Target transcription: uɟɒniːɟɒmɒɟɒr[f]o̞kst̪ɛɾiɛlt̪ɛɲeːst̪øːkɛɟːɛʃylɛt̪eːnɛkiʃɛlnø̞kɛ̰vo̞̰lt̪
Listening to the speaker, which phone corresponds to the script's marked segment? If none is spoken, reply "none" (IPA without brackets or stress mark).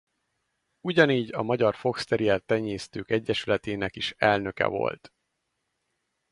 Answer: f